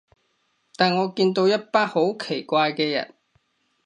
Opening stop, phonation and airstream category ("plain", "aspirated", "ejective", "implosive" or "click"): plain